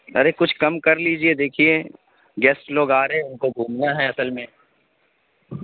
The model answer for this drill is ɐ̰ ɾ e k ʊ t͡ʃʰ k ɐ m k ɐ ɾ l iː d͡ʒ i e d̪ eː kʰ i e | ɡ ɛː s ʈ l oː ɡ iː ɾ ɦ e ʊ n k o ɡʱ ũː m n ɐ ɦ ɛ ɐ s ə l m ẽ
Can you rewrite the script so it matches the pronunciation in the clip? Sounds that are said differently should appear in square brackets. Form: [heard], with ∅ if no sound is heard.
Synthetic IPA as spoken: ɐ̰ ɾ e k ʊ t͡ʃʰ k ɐ m k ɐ ɾ l iː d͡ʒ i e d̪ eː kʰ i e | ɡ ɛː s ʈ l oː ɡ [aː] ɾ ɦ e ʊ n k o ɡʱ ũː m n [a] ɦ ɛ ɐ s ə l m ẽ